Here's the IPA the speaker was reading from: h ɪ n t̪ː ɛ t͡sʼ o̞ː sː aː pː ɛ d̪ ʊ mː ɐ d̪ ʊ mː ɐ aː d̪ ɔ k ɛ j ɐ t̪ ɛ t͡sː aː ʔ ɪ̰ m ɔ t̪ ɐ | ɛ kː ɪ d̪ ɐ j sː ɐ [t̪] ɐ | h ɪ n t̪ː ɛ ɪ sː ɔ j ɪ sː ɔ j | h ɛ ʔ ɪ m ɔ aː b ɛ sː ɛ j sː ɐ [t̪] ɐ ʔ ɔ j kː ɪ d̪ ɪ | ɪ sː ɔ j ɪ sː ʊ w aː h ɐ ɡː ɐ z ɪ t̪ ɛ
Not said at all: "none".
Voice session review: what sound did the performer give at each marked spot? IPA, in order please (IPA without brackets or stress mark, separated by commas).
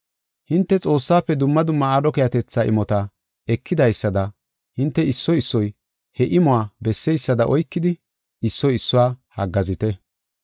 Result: d̪, d̪